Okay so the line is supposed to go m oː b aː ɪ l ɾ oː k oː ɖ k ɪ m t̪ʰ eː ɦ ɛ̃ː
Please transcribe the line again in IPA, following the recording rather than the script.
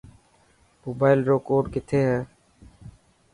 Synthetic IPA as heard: m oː b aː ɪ l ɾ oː k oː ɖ k ɪ t̪ʰ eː ɦ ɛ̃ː

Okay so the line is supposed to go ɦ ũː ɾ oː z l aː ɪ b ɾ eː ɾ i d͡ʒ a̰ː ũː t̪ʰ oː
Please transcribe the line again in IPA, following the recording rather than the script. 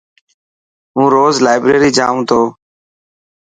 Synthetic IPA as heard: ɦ ũː ɾ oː z l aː ɪ b ɾ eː ɾ iː d͡ʒ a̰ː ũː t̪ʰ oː

